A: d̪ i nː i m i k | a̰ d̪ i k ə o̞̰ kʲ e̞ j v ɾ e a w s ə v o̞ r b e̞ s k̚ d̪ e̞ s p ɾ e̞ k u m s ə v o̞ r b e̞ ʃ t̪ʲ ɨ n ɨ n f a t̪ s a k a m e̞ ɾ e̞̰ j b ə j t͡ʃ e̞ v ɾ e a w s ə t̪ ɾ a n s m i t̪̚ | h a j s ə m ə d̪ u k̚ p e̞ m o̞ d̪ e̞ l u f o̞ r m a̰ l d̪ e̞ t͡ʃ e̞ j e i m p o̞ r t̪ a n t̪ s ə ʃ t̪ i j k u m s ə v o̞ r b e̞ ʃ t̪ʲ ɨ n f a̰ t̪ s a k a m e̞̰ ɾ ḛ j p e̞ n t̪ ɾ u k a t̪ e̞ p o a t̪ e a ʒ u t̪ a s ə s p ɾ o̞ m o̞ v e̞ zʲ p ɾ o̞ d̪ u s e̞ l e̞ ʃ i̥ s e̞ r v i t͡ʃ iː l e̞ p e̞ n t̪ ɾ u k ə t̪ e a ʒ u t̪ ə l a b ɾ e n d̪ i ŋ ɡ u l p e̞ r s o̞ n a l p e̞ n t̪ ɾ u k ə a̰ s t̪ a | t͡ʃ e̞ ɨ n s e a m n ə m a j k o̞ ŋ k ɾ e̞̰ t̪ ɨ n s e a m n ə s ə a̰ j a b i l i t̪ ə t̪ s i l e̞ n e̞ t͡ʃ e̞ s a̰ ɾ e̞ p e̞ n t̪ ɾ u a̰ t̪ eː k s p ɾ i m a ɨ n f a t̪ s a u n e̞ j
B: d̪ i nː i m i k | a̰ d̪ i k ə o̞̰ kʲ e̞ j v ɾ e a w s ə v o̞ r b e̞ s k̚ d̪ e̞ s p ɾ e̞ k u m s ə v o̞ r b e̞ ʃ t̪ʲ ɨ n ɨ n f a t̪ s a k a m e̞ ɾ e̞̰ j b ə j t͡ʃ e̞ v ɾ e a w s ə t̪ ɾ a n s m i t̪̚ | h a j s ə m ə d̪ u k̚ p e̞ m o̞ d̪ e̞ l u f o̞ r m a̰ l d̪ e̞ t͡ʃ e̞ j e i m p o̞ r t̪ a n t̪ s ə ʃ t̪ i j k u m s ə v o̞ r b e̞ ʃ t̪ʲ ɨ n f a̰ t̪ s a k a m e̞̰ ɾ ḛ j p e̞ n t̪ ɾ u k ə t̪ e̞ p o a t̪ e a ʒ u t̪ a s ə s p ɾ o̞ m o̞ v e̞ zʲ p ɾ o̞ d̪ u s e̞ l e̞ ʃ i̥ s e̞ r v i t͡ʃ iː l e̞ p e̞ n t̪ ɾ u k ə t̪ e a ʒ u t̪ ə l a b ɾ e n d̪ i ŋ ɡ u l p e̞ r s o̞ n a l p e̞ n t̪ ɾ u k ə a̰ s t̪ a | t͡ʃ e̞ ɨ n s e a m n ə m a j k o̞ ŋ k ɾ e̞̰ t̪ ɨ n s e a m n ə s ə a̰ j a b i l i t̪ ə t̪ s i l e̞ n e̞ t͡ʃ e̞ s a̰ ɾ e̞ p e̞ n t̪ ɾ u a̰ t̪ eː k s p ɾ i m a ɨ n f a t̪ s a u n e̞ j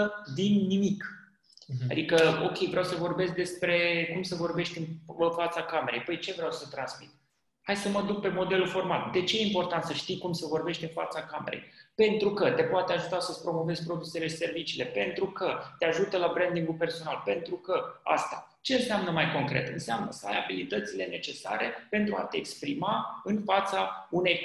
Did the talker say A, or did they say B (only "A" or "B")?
B